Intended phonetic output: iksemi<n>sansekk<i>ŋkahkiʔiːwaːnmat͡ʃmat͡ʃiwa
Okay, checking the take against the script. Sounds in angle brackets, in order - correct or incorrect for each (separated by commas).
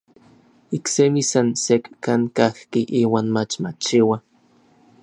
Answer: incorrect, incorrect